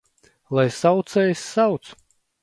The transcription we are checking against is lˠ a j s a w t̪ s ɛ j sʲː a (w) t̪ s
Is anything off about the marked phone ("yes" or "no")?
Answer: no